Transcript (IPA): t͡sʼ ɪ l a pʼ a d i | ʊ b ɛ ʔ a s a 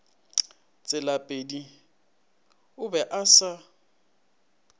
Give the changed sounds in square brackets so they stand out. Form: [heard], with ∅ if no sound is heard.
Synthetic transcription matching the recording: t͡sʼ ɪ l a pʼ [e] d i | ʊ b ɛ ʔ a s a